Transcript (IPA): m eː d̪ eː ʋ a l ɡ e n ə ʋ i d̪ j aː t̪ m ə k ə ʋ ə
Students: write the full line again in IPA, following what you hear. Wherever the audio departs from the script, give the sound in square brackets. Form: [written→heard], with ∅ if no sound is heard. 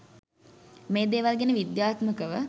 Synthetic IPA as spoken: m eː d̪ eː ʋ a l ɡ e n ə ʋ i d̪ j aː t̪ m ə k ə ʋ ə